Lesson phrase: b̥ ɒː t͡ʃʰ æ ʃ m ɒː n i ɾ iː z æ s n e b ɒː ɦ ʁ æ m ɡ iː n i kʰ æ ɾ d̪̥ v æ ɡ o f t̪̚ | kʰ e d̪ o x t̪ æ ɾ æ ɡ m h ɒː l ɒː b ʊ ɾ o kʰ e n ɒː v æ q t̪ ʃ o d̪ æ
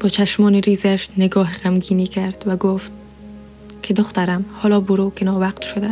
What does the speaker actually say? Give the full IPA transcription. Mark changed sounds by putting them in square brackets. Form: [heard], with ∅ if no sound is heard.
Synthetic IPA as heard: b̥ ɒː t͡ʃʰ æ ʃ m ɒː n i ɾ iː z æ [ʃ] n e [ɡ] ɒː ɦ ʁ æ m ɡ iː n i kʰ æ ɾ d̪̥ v æ ɡ o f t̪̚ | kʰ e d̪ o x t̪ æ ɾ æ [∅] m h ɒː l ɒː b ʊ ɾ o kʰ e n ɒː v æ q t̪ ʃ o d̪ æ